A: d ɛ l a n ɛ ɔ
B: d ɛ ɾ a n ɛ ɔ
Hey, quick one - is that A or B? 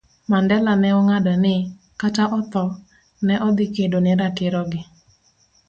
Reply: A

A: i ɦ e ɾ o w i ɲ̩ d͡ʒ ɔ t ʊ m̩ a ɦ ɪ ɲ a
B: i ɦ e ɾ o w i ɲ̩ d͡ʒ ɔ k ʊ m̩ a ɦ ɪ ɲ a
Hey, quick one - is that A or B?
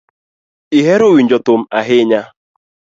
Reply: A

